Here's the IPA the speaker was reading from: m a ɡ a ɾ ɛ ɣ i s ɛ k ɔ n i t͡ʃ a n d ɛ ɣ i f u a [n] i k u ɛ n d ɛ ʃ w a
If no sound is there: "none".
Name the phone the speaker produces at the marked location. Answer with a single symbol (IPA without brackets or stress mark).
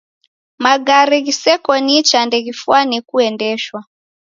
n